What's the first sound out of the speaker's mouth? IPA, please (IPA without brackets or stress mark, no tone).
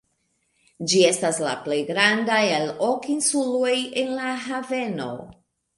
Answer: d͡ʒ